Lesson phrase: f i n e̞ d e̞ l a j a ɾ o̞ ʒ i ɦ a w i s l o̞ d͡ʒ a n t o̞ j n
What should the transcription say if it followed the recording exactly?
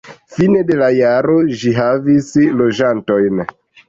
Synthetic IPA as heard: f i n e̞ d e̞ l a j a ɾ o̞ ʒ i ɦ a v i s l o̞ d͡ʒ a n t o̞ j n